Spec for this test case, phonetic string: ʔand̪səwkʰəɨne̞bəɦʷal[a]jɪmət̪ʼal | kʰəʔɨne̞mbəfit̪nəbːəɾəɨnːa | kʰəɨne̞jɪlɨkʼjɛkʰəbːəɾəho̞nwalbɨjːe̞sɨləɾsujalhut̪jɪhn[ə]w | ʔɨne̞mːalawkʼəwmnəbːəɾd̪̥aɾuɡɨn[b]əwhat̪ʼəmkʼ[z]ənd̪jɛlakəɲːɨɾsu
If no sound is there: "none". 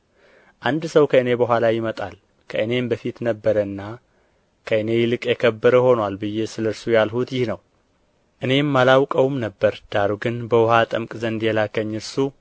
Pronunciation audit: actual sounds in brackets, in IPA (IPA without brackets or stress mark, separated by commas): a, ə, b, z